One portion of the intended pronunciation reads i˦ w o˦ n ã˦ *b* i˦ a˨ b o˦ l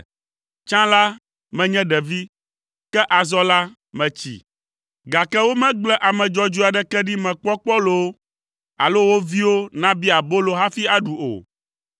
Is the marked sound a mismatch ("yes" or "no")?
no